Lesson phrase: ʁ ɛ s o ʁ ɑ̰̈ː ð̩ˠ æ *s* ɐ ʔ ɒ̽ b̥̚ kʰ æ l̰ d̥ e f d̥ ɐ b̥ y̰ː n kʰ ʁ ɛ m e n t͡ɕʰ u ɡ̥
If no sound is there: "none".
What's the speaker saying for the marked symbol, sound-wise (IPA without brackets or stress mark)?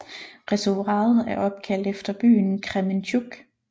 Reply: none